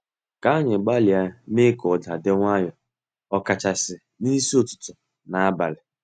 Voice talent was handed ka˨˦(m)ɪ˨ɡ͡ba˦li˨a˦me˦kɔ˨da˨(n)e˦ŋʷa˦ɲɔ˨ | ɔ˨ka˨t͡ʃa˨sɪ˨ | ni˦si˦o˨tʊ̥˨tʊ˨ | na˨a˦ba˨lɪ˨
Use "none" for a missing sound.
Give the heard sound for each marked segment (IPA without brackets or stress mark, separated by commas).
ɲ, d